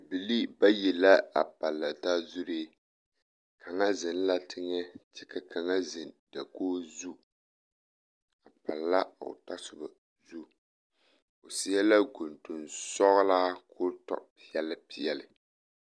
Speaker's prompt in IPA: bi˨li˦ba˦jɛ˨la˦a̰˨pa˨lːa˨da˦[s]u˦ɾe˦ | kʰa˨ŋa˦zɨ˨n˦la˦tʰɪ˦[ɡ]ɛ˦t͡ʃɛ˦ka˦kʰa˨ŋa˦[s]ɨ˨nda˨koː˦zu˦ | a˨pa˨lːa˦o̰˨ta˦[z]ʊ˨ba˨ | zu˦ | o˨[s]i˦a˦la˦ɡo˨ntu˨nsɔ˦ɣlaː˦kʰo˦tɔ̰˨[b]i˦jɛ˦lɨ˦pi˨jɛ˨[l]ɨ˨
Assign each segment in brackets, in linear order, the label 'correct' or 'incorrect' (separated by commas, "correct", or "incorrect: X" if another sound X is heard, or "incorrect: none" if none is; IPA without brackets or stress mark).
incorrect: z, incorrect: ŋ, incorrect: z, incorrect: s, correct, incorrect: p, correct